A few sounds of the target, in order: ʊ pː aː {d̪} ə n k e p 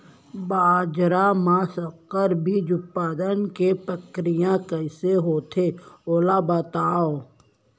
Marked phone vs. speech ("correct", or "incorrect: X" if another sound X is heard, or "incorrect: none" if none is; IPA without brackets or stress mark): correct